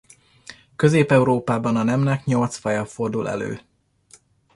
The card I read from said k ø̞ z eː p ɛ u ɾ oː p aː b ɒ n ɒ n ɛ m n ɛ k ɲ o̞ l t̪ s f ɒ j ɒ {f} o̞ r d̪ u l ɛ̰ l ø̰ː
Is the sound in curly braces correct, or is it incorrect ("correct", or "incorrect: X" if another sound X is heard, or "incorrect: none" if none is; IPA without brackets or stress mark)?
correct